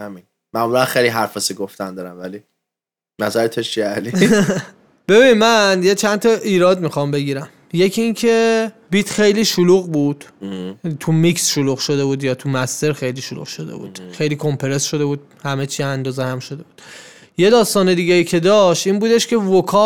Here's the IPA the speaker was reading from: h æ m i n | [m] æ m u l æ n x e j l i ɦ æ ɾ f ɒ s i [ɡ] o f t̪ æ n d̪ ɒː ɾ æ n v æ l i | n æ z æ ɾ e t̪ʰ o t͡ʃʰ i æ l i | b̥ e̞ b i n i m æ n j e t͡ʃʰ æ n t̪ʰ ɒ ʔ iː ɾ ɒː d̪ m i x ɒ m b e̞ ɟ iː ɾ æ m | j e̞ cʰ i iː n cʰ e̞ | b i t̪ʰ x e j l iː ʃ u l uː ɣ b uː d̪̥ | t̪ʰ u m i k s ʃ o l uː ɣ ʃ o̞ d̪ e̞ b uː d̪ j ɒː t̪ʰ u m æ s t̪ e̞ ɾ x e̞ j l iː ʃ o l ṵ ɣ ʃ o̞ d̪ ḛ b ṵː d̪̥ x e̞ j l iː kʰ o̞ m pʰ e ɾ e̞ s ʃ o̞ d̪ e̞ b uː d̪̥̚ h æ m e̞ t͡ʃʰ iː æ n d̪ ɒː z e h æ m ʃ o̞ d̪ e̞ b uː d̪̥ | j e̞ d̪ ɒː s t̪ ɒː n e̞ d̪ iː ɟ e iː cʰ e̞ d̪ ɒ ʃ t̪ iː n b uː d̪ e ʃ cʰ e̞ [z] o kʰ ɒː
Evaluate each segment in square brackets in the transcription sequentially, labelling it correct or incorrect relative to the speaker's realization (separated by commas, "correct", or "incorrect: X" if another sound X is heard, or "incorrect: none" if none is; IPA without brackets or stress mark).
correct, correct, incorrect: v